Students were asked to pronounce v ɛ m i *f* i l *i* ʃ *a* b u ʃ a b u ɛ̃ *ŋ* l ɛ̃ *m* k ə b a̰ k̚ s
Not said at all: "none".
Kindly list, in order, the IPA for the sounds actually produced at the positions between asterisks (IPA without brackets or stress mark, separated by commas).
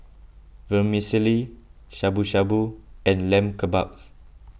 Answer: s, i, a, n, m